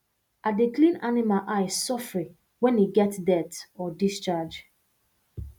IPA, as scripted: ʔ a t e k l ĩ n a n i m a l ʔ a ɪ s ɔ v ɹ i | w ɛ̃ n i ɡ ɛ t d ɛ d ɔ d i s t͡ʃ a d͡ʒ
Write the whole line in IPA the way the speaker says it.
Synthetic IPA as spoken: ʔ a d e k l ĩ n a n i m a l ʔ a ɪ s ɔ f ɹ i | w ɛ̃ n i ɡ ɛ t d ɛ t ɔ d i s t͡ʃ a d͡ʒ